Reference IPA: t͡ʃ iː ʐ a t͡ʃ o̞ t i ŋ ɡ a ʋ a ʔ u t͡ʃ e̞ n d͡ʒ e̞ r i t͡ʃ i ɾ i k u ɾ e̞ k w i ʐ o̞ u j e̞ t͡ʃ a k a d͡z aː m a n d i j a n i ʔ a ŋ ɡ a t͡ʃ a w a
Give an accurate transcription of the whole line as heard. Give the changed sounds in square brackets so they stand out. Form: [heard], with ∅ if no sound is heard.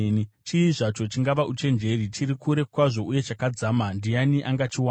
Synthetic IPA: t͡ʃ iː ʐ a t͡ʃ o̞ [t͡ʃ] i ŋ ɡ a ʋ a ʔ u t͡ʃ e̞ n d͡ʒ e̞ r i t͡ʃ i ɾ i k u ɾ e̞ k w [a] ʐ o̞ u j e̞ t͡ʃ a k a d͡z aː m a n d i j a n i ʔ a ŋ ɡ a t͡ʃ [i] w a